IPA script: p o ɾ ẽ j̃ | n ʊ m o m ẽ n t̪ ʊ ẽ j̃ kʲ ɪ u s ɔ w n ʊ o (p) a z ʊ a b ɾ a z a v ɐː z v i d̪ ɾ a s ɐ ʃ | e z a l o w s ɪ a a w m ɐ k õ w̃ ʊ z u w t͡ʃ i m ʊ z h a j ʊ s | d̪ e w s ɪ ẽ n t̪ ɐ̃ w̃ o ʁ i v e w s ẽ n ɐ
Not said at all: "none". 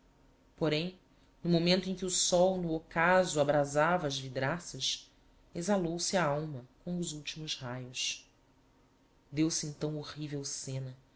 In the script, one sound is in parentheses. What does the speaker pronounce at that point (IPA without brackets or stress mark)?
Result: k